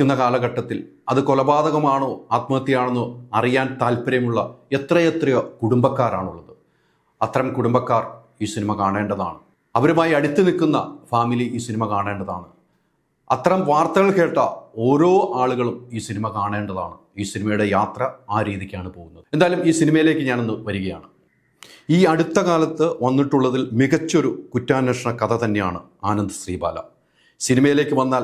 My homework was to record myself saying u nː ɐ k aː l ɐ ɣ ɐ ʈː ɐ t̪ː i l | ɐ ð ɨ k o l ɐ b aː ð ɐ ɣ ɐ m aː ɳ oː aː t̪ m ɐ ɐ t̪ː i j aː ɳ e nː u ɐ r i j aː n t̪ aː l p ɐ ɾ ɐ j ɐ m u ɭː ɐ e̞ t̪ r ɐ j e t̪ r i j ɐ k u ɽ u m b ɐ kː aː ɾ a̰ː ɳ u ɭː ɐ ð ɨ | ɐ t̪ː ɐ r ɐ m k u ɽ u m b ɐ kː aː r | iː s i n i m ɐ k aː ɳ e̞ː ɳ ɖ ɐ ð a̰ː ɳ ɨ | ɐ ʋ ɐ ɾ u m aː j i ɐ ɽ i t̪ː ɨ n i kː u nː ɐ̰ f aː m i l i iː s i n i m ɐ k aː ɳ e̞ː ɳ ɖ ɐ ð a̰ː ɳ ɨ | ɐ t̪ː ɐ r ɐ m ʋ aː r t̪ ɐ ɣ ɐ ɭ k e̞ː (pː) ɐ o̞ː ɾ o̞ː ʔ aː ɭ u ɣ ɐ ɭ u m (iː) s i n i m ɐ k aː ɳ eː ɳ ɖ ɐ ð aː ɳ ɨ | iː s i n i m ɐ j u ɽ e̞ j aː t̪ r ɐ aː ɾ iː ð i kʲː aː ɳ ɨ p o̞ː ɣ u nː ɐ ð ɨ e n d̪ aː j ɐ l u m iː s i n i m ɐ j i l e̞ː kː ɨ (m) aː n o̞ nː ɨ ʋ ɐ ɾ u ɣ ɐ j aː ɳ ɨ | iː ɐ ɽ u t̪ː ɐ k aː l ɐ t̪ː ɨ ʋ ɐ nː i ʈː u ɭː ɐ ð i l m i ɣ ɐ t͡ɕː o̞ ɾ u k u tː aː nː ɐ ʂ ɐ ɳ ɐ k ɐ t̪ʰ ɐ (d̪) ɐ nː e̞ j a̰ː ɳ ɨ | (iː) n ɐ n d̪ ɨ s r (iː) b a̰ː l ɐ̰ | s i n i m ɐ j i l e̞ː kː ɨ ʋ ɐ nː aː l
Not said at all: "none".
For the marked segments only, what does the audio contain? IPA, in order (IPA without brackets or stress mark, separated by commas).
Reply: ʈː, iː, ɲ, t̪, aː, iː